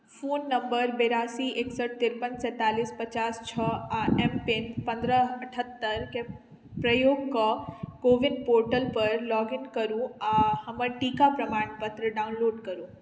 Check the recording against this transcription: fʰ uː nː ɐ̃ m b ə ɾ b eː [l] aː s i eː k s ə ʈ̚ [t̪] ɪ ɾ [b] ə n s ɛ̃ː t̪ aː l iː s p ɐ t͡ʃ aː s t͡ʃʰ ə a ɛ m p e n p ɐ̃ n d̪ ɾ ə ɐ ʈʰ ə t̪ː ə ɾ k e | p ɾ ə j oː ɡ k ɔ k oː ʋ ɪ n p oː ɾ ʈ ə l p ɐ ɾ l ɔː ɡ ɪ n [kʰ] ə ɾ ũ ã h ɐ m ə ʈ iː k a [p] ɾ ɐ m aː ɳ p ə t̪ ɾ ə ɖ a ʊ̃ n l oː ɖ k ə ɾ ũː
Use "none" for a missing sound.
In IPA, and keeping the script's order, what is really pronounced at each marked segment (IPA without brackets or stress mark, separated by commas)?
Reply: ɾ, t̪, p, k, p